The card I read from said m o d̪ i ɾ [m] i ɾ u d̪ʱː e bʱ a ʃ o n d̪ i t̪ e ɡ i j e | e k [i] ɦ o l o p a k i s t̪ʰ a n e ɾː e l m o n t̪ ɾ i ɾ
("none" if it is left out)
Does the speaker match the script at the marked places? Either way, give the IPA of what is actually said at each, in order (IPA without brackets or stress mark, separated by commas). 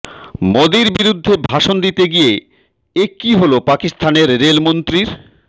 b, i